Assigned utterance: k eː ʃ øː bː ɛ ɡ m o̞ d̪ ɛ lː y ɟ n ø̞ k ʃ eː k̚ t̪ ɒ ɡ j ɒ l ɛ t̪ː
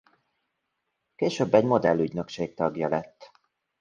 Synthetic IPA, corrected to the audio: k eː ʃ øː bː ɛ ɟ m o̞ d̪ ɛ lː y ɟ n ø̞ k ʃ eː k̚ t̪ ɒ ɡ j ɒ l ɛ t̪ː